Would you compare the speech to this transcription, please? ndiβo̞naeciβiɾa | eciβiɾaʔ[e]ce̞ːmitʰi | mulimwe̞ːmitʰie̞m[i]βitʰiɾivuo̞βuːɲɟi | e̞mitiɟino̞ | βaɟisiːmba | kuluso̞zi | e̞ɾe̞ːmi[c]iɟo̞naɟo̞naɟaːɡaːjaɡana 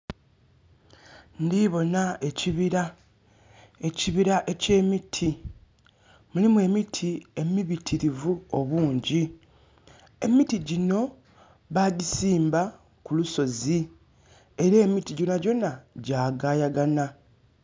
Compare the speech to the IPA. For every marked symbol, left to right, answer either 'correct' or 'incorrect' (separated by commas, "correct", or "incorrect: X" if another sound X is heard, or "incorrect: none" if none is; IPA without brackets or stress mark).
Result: correct, correct, incorrect: t